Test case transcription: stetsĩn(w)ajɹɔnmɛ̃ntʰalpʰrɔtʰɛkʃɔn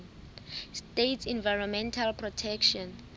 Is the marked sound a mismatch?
yes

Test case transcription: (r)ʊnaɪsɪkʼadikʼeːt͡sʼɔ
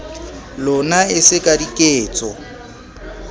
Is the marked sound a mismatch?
yes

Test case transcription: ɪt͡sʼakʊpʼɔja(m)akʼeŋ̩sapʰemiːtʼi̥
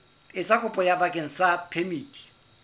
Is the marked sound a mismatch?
yes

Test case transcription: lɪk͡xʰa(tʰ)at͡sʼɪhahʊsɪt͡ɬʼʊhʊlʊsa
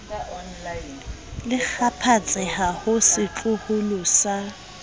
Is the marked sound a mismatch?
yes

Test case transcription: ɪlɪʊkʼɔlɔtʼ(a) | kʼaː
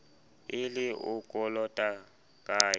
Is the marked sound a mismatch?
no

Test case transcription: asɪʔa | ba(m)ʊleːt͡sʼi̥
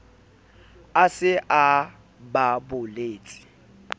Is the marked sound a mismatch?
yes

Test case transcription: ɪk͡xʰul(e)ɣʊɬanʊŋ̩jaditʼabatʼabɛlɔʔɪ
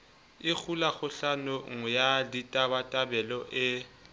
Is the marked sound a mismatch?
yes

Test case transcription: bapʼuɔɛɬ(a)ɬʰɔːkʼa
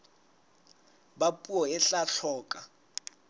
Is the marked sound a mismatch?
no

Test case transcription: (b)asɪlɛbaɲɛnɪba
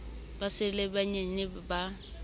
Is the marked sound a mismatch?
no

